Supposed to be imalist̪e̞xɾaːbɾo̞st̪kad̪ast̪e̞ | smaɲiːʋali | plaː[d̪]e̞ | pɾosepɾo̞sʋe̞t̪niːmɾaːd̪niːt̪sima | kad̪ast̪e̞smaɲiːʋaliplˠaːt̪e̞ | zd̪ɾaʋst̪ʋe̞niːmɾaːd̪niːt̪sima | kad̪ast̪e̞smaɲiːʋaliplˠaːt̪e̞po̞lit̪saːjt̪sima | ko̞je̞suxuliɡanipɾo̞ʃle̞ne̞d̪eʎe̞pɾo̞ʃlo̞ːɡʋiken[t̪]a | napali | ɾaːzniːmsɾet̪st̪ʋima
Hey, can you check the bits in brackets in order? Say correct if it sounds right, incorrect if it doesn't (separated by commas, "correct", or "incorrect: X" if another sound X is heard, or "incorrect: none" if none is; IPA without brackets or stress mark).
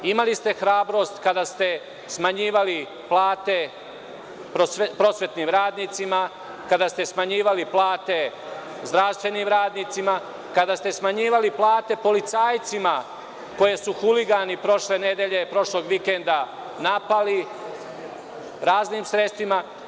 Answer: incorrect: t̪, incorrect: d̪